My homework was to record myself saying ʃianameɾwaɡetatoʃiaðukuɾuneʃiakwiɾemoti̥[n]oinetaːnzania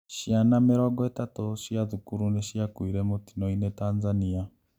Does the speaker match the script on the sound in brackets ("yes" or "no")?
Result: yes